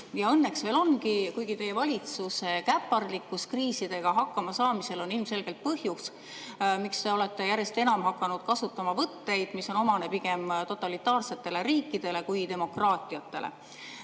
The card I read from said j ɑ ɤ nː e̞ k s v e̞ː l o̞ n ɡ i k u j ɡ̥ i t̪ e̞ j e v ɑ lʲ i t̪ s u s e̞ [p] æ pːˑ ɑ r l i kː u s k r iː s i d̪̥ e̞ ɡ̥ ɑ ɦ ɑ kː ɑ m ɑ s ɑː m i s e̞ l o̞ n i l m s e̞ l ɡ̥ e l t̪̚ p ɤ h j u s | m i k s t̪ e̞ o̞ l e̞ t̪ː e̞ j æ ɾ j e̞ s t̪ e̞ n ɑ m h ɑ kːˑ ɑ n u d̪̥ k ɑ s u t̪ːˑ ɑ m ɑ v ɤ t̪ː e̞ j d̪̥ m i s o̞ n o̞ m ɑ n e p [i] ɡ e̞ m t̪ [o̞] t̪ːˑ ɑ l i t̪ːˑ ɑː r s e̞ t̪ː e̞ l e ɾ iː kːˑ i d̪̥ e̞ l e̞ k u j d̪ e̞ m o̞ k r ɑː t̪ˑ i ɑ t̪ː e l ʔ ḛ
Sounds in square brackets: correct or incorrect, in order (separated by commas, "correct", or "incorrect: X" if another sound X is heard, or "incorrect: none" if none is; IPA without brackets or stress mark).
incorrect: k, correct, correct